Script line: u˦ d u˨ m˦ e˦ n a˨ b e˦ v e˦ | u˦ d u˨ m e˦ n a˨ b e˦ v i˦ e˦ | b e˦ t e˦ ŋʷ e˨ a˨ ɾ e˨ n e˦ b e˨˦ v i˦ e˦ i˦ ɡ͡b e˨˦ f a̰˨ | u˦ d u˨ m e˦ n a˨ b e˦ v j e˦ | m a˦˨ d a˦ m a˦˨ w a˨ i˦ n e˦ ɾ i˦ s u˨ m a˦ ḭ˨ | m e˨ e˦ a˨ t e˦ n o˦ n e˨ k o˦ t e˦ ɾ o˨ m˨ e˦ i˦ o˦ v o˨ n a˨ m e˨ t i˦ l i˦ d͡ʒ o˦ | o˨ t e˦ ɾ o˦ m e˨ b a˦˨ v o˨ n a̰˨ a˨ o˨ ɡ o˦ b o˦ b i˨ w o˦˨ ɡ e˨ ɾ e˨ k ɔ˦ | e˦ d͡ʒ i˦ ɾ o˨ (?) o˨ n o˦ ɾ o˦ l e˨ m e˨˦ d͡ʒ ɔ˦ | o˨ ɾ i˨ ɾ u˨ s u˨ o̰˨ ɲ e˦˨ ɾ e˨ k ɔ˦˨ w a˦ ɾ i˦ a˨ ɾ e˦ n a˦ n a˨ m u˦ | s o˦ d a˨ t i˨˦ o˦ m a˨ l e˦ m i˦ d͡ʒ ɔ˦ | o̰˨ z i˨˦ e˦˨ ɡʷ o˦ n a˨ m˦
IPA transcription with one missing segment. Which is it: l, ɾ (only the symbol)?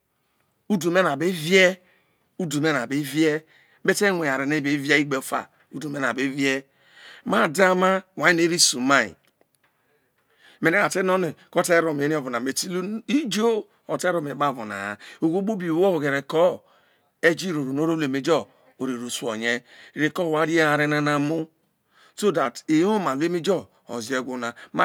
ɾ